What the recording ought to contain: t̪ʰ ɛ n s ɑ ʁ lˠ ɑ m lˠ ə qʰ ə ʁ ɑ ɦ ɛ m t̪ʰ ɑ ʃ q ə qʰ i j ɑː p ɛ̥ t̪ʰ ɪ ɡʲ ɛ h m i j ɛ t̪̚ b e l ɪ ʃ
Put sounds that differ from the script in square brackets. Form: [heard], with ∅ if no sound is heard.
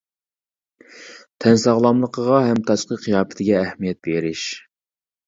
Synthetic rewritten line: t̪ʰ ɛ n s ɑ ʁ lˠ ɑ m lˠ ə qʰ ə ʁ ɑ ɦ ɛ m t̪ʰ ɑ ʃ q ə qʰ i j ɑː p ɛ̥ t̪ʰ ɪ ɡʲ [ɛː] h m i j ɛ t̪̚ b e [ɾ] ɪ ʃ